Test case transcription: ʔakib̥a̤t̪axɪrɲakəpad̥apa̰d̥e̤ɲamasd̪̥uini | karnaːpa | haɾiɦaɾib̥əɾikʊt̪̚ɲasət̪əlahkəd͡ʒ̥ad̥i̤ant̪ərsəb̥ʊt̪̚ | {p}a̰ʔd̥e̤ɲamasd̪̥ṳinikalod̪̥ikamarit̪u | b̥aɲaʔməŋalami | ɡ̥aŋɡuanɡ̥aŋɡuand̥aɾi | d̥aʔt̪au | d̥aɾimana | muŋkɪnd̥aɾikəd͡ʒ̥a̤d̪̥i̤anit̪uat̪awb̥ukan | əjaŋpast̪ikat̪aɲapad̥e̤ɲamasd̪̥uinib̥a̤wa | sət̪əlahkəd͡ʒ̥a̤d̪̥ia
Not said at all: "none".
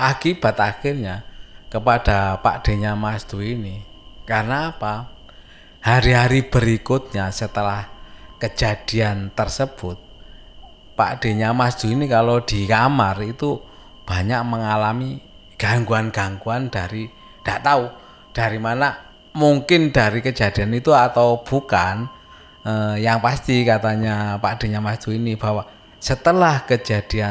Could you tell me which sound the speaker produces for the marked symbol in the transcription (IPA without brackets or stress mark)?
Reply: p